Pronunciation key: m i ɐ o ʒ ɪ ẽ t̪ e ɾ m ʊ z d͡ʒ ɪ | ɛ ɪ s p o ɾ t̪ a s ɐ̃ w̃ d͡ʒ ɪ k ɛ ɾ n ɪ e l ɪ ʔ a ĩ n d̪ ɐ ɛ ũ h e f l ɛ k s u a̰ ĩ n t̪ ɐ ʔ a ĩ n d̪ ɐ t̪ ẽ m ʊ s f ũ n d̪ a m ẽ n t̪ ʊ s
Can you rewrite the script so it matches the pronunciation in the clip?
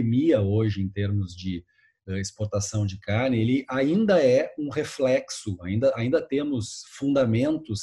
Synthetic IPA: m i ɐ o ʒ ɪ ẽ t̪ e ɾ m ʊ z d͡ʒ ɪ | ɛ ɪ s p o ɾ t̪ a s ɐ̃ w̃ d͡ʒ ɪ k a ɾ n ɪ e l ɪ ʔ a ĩ n d̪ ɐ ɛ ũ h e f l ɛ k s ʊ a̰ ĩ n d̪ ɐ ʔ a ĩ n d̪ ɐ t̪ ẽ m ʊ s f ũ n d̪ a m ẽ n t̪ ʊ s